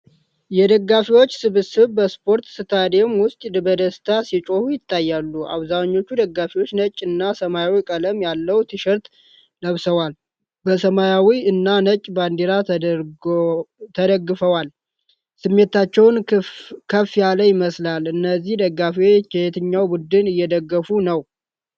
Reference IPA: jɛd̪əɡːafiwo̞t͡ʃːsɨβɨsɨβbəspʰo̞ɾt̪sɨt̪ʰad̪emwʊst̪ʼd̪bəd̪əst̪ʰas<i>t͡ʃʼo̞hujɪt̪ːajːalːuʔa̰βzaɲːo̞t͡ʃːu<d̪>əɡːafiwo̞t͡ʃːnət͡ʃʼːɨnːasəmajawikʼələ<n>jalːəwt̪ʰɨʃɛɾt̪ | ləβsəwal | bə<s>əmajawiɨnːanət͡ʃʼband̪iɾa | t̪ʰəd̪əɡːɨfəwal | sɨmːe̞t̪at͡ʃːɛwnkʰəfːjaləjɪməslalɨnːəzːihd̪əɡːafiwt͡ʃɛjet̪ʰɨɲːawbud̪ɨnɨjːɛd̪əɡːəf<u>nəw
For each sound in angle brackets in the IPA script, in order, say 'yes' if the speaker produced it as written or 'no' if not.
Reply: yes, yes, no, yes, yes

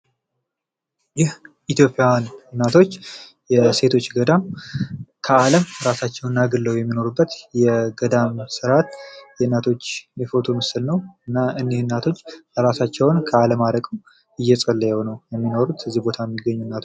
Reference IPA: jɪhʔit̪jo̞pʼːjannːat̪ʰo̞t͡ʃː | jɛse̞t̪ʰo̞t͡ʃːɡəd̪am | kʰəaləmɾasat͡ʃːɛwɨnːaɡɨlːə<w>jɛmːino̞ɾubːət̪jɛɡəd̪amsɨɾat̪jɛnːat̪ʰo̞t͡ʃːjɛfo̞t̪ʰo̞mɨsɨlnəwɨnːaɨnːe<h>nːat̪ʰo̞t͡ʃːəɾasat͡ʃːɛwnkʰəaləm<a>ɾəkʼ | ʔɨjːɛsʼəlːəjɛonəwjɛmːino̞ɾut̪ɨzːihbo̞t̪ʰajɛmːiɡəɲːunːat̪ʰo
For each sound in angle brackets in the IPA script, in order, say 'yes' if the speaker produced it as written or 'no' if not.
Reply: yes, yes, yes

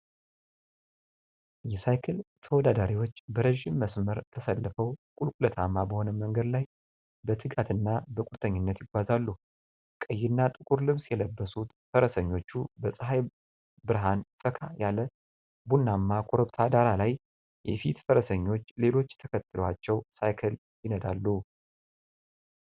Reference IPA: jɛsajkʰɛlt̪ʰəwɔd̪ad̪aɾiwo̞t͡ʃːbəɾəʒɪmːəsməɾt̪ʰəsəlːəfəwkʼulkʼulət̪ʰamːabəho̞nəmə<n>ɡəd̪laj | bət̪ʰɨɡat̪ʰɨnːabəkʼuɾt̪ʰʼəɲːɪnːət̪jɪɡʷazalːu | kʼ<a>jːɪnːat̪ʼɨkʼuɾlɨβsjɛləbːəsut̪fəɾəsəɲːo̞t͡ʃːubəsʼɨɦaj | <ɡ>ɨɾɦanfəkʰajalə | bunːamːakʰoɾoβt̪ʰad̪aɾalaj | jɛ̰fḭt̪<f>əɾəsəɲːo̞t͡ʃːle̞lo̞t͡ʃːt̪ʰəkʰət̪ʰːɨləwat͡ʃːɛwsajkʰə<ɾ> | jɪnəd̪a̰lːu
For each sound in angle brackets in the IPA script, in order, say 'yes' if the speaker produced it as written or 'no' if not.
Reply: no, no, no, yes, no

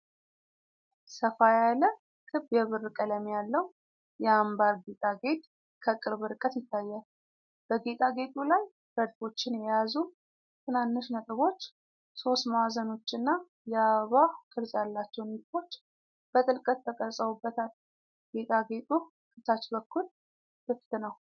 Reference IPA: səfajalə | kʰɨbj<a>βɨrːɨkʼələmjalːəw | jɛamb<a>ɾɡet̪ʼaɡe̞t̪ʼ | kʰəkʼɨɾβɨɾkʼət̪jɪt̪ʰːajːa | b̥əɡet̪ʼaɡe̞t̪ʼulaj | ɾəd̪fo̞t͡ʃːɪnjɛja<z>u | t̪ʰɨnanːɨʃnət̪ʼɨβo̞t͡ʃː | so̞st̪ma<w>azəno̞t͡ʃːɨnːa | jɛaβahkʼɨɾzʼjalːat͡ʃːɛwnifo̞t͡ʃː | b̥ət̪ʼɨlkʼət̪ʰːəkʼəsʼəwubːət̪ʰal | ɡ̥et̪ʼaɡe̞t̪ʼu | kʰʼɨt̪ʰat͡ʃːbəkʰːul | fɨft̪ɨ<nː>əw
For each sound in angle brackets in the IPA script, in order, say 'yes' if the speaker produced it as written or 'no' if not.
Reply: no, yes, yes, yes, no

